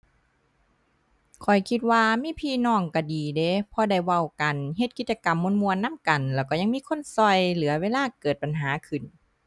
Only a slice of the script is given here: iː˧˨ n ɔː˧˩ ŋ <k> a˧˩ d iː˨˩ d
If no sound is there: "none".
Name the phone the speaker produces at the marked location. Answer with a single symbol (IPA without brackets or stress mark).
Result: k